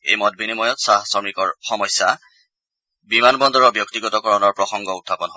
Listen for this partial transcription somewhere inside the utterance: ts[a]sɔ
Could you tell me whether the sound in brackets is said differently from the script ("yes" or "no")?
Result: no